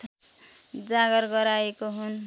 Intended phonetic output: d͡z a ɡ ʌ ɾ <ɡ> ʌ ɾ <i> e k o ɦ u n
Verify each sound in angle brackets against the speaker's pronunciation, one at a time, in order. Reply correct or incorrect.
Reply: correct, incorrect

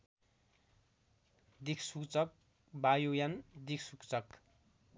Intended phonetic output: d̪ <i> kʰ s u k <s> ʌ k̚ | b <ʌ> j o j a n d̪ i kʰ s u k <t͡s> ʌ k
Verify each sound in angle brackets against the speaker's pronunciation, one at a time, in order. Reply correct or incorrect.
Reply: correct, incorrect, incorrect, correct

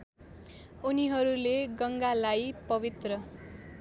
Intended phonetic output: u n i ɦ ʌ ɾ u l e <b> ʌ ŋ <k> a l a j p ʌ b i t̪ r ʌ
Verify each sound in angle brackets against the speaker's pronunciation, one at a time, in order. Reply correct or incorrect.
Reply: incorrect, incorrect

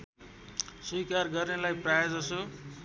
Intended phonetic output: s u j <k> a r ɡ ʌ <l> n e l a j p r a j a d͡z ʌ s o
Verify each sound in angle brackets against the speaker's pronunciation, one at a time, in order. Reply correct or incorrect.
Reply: correct, incorrect

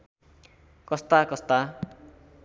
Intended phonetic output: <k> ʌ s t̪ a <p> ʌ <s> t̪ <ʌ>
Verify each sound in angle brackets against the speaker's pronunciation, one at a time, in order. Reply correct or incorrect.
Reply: correct, incorrect, correct, incorrect

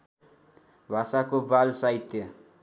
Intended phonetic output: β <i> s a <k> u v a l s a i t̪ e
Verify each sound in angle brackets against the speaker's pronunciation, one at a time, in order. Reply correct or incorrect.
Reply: incorrect, correct

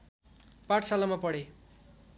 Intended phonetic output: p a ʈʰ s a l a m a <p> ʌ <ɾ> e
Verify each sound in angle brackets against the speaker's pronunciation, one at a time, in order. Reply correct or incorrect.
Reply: correct, incorrect

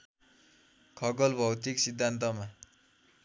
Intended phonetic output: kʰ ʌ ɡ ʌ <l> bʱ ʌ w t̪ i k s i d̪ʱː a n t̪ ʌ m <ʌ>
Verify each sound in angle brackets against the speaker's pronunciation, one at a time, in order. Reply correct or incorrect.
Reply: correct, incorrect

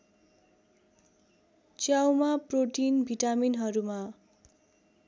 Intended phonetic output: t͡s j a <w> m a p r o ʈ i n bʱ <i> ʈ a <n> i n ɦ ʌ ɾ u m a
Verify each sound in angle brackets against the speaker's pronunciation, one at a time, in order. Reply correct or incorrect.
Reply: correct, correct, incorrect

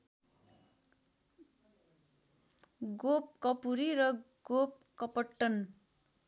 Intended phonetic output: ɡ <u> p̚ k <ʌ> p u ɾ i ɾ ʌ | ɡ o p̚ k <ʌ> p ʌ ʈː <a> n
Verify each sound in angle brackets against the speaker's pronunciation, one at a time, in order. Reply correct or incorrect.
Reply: incorrect, correct, correct, incorrect

